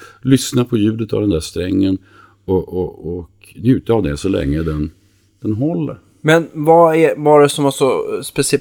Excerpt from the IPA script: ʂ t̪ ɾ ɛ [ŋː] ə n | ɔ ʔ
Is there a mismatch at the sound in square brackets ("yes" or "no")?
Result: no